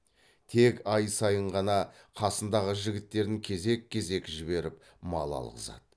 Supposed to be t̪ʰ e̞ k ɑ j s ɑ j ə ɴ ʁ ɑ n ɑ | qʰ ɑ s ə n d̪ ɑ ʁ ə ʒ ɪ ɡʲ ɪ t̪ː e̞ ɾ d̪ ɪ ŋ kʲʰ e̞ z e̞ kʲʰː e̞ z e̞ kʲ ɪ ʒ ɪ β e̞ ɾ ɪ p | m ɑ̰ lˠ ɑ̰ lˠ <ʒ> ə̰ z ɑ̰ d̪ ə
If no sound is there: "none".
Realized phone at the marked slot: ʁ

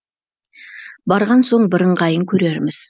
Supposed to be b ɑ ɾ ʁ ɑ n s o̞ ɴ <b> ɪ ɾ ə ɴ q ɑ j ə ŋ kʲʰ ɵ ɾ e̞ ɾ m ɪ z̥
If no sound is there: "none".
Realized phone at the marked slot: b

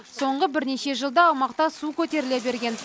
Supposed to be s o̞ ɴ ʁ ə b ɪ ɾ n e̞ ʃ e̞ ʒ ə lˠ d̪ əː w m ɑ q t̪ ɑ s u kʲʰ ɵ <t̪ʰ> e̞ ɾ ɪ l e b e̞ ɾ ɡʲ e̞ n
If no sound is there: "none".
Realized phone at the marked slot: t̪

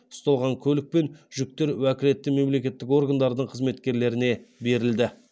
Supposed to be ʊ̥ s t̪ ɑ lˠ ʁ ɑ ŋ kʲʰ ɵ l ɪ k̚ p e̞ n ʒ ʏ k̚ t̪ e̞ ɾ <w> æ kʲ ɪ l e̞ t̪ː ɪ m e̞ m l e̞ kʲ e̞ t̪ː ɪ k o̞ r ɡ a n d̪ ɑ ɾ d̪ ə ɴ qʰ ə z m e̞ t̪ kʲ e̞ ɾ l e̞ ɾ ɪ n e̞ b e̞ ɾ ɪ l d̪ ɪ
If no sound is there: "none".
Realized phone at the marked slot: w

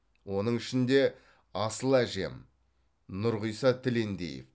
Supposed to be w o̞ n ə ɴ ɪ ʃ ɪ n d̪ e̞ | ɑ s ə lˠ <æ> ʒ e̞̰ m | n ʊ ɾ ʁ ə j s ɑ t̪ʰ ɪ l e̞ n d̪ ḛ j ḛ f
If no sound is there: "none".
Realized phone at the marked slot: æ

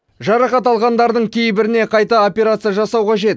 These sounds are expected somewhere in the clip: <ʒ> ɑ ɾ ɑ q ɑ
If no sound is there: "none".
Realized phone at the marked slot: ʒ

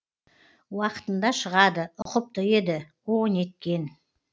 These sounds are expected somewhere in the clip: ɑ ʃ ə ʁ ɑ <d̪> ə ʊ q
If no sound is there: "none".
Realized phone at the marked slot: d̪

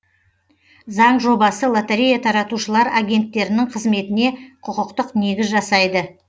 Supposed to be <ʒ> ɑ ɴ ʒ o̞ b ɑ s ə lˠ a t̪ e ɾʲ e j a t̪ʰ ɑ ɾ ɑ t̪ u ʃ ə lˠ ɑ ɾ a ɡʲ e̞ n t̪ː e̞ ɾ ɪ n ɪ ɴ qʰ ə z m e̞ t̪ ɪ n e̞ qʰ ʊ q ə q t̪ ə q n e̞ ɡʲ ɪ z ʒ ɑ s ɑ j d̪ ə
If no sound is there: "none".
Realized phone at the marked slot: z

